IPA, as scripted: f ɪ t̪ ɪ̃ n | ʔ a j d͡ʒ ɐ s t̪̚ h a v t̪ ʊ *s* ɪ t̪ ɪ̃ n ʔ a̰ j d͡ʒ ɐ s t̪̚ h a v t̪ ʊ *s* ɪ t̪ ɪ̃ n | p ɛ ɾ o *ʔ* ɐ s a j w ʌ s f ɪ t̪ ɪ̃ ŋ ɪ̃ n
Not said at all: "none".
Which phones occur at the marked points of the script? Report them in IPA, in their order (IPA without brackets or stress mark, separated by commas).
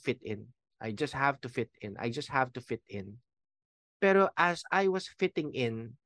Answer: f, f, ʔ